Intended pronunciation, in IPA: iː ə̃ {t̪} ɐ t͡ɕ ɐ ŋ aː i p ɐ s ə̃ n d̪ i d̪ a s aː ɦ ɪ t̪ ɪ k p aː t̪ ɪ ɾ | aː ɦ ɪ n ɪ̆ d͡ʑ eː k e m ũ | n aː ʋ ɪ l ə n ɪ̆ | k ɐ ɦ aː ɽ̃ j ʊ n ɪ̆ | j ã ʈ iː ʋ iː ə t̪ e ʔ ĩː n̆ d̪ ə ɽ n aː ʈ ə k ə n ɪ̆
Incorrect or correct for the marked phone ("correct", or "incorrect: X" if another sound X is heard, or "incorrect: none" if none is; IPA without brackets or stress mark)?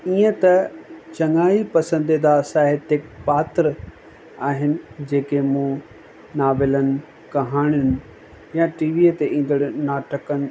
correct